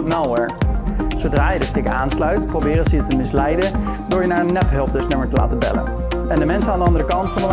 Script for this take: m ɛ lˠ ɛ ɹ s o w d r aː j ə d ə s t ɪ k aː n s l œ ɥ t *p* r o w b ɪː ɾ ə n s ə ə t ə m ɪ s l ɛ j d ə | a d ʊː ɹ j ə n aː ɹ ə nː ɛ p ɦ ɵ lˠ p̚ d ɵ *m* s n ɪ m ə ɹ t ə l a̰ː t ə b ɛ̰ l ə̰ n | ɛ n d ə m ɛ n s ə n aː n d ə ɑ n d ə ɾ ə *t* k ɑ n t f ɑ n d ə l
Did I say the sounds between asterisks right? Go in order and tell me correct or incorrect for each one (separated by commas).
correct, incorrect, incorrect